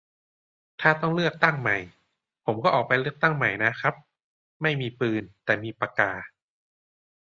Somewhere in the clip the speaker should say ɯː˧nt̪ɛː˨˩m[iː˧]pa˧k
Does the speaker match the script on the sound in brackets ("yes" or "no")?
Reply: yes